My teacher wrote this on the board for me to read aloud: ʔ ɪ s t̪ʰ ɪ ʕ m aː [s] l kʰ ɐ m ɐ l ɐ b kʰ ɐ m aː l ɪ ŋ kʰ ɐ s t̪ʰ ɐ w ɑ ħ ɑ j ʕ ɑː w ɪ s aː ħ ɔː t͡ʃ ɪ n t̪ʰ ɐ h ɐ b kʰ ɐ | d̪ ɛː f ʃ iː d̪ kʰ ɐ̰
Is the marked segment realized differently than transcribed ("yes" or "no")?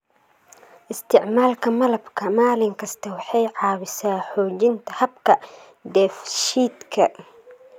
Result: yes